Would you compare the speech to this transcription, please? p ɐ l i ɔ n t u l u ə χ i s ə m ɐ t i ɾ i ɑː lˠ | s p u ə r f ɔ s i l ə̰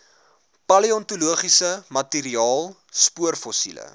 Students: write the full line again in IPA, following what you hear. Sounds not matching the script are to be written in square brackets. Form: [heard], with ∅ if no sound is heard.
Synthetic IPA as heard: p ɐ l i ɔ n t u l u ə χ i s ə m ɐ t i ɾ i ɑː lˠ | s p u ə r f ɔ s i l ə̰